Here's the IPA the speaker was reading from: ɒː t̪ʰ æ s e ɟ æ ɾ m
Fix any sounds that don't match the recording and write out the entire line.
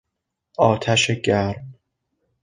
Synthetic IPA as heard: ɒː t̪ʰ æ ʃ e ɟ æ ɾ m